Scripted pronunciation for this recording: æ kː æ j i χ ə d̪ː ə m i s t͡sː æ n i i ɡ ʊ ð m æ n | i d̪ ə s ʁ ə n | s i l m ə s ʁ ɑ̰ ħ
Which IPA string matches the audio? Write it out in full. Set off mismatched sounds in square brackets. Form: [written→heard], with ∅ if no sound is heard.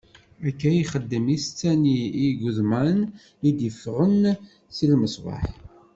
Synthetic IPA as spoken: æ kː æ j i χ ə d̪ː ə m i s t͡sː æ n i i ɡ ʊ ð m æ n | i d̪ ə [s→f] ʁ ə n | s i l m ə s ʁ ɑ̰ ħ